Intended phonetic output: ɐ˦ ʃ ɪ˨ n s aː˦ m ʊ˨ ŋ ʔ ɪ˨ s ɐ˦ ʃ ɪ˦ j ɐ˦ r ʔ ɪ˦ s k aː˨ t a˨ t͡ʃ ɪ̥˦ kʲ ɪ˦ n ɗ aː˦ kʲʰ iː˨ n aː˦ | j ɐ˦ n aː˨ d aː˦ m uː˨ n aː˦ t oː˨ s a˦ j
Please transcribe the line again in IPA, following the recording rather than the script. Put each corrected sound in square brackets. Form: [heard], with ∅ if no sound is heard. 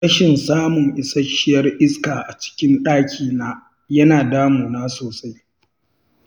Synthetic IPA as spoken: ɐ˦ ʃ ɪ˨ n s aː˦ m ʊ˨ ŋ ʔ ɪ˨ s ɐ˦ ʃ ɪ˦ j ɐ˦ r ʔ ɪ˦ s k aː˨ [ʔ] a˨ t͡ʃ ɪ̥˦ kʲ ɪ˦ n ɗ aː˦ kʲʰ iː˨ n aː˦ | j ɐ˦ n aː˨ d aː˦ m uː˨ n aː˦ [s] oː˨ s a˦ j